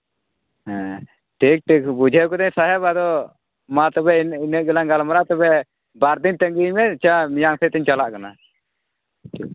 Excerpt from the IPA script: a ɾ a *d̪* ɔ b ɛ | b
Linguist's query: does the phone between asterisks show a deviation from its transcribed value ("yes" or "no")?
yes